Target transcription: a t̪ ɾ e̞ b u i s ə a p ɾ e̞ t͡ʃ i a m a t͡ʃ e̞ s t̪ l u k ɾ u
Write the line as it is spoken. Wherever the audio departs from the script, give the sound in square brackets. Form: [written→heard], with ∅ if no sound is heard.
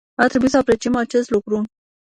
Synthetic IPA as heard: a t̪ ɾ e̞ b u i s ə a p ɾ e̞ t͡ʃ i [a→e] m a t͡ʃ e̞ s t̪ l u k ɾ u